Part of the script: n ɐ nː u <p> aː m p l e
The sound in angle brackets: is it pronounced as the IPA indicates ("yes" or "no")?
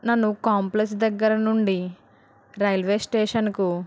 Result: no